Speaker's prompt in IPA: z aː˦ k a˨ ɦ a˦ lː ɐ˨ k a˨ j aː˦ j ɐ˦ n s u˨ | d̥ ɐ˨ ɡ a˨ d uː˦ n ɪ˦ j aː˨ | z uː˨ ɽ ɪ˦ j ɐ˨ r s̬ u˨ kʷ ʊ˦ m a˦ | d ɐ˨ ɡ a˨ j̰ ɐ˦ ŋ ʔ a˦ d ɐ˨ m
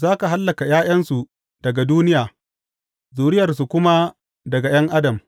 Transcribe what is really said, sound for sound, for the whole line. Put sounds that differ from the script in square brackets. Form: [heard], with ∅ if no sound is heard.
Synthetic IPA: z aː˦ k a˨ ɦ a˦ lː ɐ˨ k a˨ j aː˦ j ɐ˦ n s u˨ | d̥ ɐ˨ ɡ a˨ d uː˦ n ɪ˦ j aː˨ | z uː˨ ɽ ɪ˦ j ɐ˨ r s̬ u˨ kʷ ʊ˦ m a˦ | d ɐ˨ ɡ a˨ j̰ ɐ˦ ŋ ʔ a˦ d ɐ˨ m